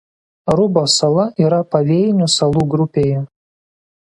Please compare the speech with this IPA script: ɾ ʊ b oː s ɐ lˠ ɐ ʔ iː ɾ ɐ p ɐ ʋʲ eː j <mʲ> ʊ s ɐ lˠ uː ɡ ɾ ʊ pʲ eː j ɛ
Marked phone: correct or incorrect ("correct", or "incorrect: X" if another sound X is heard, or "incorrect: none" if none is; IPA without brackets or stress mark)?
incorrect: nʲ